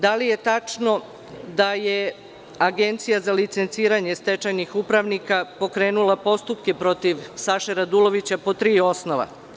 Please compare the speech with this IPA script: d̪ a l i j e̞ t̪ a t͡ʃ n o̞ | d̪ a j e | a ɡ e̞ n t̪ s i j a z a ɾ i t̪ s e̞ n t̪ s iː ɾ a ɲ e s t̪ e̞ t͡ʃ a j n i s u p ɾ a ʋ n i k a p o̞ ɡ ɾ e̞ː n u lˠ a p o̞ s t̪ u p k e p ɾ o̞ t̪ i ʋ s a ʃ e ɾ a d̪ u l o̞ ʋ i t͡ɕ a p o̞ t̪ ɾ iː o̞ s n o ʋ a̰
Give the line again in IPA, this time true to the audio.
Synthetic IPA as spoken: d̪ a l i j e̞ t̪ a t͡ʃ n o̞ | d̪ a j e | a ɡ e̞ n t̪ s i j a z a l i t̪ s e̞ n t̪ s iː ɾ a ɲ e s t̪ e̞ t͡ʃ a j n i x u p ɾ a ʋ n i k a p o̞ k ɾ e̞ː n u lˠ a p o̞ s t̪ u p k e p ɾ o̞ t̪ i ʋ s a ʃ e ɾ a d̪ u l o̞ ʋ i t͡ɕ a p o̞ t̪ ɾ iː o̞ s n o ʋ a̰